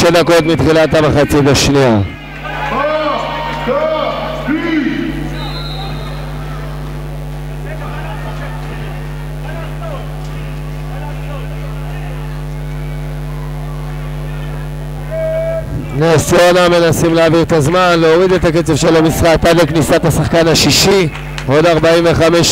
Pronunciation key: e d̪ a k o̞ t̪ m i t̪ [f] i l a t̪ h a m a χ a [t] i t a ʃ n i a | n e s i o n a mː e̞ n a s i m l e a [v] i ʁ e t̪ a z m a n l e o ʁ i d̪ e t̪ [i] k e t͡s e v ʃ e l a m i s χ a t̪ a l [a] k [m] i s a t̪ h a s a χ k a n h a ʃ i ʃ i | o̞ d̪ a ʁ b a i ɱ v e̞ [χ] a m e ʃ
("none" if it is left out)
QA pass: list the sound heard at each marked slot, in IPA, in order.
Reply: χ, t͡s, v, a, e, n, χ

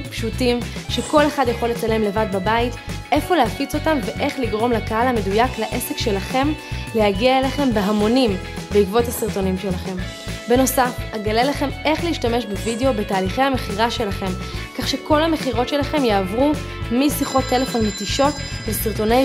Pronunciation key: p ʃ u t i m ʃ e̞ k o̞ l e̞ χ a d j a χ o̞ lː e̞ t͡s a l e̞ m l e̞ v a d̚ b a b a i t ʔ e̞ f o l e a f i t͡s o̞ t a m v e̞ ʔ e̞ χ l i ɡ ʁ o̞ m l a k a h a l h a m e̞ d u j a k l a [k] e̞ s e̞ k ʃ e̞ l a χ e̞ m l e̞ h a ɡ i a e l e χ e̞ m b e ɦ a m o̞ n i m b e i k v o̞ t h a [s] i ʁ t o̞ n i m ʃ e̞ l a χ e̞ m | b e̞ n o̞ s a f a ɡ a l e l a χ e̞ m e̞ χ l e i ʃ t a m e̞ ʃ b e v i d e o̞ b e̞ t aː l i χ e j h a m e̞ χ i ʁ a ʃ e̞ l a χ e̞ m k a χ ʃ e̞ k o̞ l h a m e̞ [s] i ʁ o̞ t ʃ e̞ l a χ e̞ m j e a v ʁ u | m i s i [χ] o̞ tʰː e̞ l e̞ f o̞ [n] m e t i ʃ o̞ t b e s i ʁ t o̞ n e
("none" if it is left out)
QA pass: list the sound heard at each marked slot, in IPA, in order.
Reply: ʔ, s, χ, χ, n

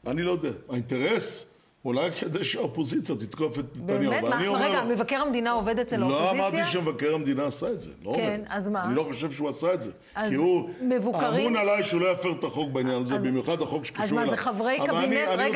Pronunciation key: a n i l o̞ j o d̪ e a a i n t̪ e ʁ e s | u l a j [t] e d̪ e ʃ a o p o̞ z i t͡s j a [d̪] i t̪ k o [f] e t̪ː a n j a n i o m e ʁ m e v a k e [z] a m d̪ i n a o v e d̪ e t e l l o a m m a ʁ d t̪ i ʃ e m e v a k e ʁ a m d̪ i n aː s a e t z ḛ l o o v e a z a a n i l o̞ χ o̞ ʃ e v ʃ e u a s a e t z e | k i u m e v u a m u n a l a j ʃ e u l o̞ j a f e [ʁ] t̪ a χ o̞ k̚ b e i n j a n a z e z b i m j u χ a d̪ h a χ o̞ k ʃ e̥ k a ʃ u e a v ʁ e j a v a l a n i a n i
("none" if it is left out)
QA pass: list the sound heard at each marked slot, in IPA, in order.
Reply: k, t̪, f, ʁ, ʁ

